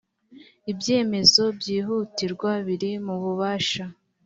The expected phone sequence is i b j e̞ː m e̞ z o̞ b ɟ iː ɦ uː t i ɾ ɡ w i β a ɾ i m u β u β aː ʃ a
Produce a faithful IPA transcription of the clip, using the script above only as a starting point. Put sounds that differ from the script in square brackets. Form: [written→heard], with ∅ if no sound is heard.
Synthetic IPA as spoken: i b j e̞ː m e̞ z o̞ b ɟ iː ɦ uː t i ɾ ɡ w [i→a] β [a→i] ɾ i m u β u β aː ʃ a